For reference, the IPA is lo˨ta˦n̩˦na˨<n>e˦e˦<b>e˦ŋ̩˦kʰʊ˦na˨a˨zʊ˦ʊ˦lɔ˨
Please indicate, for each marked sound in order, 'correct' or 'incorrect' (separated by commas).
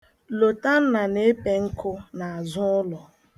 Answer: correct, incorrect